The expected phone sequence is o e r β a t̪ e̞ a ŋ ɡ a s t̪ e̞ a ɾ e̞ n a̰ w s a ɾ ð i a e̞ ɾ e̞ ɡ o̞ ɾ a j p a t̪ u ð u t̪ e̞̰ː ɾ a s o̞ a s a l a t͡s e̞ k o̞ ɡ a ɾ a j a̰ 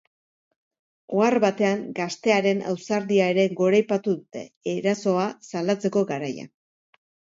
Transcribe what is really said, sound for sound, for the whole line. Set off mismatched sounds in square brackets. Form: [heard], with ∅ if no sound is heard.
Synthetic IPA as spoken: o [a] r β a t̪ e̞ a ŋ ɡ a s t̪ e̞ a ɾ e̞ n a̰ w s a ɾ ð i a e̞ ɾ e̞ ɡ o̞ ɾ a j p a t̪ u ð u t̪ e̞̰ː ɾ a s o̞ a s a l a t͡s e̞ k o̞ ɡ a ɾ a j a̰